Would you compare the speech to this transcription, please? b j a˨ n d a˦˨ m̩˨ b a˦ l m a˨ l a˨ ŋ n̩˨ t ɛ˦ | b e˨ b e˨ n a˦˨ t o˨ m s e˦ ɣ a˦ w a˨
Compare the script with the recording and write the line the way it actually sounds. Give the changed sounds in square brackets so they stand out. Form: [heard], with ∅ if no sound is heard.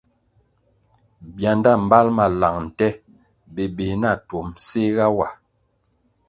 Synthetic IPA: b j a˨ n d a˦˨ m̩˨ b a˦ l m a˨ l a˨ ŋ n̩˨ t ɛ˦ | b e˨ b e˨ n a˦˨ t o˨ m s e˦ ɣ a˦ w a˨